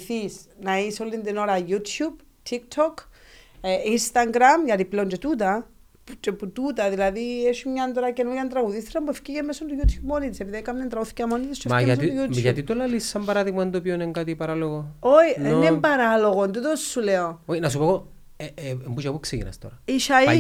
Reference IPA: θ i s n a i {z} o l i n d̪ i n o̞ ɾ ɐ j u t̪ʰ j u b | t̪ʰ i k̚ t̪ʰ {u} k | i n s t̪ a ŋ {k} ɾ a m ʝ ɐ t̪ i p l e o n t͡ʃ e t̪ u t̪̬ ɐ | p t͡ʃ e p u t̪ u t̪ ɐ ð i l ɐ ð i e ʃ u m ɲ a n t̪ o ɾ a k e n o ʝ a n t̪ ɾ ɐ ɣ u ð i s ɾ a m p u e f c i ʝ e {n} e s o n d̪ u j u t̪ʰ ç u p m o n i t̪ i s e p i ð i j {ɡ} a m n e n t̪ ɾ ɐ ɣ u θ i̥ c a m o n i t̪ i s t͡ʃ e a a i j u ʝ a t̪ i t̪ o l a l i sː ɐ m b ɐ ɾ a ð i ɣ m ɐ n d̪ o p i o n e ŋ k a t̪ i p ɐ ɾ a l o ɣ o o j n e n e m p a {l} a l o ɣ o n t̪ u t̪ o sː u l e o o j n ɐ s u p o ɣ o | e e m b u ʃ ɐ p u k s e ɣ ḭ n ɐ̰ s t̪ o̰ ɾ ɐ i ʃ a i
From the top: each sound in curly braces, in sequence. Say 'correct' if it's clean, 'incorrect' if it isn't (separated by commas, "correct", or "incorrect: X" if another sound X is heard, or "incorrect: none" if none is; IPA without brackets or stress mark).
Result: incorrect: s, incorrect: o, incorrect: ɡ, incorrect: m, incorrect: k, incorrect: ɾ